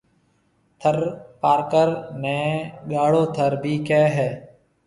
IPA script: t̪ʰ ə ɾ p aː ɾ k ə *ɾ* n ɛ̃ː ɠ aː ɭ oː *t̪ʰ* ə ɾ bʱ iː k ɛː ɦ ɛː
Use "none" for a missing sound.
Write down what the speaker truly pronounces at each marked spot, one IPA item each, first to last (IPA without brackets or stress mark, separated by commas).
ɾ, t̪ʰ